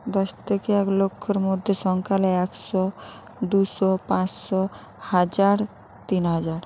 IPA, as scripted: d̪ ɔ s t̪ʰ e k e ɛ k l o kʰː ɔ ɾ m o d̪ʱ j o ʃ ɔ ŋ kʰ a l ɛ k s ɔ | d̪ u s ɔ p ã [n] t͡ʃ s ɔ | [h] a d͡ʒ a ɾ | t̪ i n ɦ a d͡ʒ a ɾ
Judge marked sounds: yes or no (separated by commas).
no, yes